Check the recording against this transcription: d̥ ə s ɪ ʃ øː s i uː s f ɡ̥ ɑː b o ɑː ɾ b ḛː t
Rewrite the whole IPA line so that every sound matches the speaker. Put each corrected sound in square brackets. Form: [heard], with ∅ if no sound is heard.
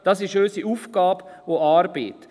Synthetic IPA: d̥ [ɑ] s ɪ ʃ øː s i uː [∅] f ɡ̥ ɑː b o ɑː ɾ b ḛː t